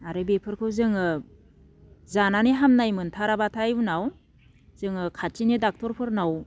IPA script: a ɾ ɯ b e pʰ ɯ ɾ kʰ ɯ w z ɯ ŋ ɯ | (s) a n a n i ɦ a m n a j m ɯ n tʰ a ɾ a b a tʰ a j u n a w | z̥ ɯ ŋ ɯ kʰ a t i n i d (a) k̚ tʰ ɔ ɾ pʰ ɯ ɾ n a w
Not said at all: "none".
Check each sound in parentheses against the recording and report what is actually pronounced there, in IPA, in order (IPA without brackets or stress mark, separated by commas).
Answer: z, a